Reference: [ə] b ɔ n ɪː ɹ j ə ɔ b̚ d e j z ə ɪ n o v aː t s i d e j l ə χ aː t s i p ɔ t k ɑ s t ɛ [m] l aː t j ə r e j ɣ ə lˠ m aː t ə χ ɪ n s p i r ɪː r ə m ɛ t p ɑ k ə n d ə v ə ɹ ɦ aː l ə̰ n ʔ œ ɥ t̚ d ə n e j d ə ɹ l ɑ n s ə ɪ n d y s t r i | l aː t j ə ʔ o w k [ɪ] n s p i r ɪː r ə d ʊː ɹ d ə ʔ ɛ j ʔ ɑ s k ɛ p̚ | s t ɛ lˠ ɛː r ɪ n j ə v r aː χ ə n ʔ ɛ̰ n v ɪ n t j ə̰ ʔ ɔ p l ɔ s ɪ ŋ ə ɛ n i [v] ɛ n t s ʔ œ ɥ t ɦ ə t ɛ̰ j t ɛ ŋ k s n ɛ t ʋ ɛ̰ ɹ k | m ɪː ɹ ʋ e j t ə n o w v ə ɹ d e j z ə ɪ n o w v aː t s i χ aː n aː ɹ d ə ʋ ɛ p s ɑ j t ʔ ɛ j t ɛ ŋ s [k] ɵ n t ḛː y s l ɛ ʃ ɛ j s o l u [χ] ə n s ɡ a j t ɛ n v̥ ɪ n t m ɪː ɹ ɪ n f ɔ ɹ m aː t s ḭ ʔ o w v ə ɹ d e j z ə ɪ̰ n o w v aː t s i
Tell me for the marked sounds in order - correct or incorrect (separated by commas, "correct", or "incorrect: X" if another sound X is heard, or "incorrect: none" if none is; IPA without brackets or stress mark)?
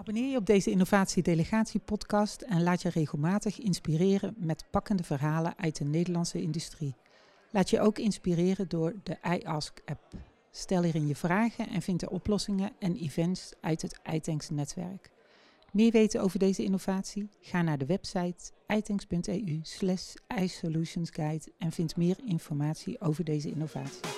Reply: incorrect: ɑ, incorrect: n, correct, correct, incorrect: p, incorrect: ʃ